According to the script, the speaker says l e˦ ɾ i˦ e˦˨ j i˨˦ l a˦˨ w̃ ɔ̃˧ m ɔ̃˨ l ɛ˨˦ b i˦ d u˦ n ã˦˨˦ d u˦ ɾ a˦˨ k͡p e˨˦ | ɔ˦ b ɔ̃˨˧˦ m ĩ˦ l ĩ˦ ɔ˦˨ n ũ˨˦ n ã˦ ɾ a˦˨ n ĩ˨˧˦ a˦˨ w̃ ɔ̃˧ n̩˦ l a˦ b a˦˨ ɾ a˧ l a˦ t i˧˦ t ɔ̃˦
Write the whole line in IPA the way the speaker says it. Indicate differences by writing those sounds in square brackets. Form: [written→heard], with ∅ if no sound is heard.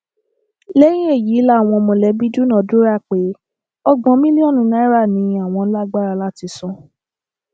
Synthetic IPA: l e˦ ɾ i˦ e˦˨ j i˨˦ l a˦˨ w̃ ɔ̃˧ m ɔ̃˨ l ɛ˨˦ b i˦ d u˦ n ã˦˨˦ d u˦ ɾ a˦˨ k͡p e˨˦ | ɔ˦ [b→ɡ͡b] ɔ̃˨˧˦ m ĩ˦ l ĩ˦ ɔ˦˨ n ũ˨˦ n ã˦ ɾ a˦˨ n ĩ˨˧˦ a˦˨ w̃ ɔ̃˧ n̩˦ l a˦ [b→ɡ͡b] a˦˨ ɾ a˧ l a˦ t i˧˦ [t→s] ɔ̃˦